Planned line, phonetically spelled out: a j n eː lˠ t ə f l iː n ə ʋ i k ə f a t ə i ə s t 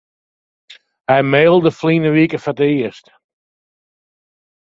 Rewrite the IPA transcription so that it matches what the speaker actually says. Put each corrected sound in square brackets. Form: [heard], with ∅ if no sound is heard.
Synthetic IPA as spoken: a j [m] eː lˠ [d] ə f l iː n ə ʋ i k ə f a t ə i ə s t